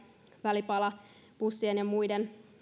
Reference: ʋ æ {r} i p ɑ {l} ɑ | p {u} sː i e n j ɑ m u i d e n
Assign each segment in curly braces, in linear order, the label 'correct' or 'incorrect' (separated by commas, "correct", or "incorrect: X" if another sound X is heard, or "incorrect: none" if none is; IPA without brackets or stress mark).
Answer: incorrect: l, correct, correct